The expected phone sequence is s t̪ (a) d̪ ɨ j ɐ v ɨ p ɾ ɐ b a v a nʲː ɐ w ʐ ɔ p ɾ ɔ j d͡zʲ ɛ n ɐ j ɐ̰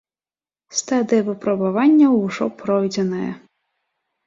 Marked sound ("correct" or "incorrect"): correct